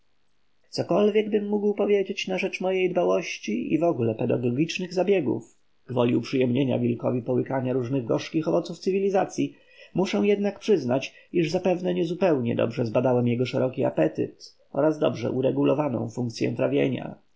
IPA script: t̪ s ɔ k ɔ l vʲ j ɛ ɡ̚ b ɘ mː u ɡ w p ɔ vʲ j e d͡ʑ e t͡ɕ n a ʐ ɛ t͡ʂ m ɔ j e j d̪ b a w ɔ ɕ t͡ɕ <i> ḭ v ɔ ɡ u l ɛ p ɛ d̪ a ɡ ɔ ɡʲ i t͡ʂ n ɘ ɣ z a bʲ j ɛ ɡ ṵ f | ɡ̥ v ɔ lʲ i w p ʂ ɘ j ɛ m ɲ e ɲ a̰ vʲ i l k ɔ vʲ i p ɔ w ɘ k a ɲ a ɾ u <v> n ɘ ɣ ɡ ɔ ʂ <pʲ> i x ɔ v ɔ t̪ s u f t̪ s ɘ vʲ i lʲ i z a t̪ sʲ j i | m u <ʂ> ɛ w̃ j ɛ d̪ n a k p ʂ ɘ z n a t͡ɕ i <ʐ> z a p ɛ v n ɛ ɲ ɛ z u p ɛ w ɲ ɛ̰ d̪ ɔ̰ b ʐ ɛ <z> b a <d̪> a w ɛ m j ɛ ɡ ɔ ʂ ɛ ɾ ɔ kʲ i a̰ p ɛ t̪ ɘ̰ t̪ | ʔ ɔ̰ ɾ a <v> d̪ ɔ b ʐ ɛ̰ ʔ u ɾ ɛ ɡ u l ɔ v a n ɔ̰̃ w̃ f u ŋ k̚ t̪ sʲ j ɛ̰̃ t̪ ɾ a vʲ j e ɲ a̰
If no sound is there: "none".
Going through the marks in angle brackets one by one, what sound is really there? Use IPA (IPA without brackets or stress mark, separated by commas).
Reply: i, ʐ, kʲ, ʂ, ʐ, z, d̪, z